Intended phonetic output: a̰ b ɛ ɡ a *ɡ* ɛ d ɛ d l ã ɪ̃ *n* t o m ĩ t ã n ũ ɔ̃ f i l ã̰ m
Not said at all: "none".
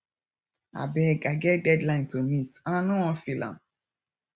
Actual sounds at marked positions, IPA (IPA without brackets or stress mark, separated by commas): ɡ, n